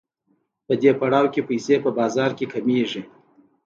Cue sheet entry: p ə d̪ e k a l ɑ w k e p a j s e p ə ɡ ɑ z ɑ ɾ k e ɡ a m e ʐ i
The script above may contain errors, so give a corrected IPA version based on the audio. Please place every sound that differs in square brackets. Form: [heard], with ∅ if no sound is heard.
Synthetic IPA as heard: p ə d̪ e [p] a [ɽ] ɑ w k e p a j s e p ə [b] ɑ z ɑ ɾ k e [k] a m e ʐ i